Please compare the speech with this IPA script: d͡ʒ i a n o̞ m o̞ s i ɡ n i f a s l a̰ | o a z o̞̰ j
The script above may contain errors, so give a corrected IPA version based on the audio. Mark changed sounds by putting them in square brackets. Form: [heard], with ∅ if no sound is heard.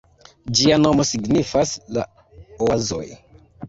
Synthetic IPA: d͡ʒ i a n o̞ m o̞ s i ɡ n i f a s l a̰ | o a z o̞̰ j